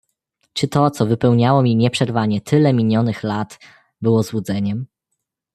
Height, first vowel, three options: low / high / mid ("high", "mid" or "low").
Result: mid